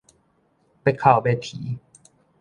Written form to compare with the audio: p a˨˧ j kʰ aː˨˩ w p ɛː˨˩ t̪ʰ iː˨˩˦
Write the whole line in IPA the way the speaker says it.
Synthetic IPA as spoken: p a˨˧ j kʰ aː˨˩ w b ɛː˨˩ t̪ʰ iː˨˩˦